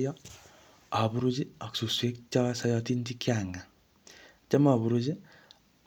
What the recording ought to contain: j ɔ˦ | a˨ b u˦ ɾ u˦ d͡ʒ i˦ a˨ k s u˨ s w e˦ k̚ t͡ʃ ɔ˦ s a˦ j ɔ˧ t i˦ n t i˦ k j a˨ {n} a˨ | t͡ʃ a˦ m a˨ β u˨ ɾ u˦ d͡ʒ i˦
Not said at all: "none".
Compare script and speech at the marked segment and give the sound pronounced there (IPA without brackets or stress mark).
ŋ